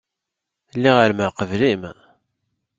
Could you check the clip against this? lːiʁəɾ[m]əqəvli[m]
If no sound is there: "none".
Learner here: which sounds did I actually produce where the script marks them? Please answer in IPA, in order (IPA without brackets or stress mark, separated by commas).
m, m